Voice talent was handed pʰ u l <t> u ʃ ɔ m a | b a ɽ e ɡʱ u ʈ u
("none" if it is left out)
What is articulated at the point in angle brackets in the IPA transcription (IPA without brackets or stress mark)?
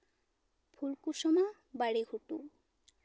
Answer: k